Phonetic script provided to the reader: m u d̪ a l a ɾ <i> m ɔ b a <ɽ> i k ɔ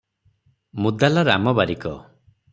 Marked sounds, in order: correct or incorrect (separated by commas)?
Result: incorrect, incorrect